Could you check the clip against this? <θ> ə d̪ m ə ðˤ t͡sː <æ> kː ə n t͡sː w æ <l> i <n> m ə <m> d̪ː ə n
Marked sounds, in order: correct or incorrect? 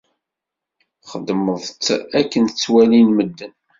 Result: incorrect: χ, correct, correct, correct, incorrect: none

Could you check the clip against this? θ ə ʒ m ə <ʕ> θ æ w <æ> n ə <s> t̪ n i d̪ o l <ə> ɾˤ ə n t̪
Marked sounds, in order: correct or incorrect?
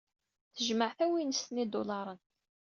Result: correct, incorrect: i, correct, incorrect: ɑ

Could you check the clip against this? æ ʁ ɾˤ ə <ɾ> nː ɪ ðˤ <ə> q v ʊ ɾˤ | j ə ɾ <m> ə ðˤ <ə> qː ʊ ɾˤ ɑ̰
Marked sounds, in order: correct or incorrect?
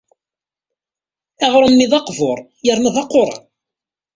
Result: incorrect: none, incorrect: ɑ, incorrect: n, incorrect: ɑ

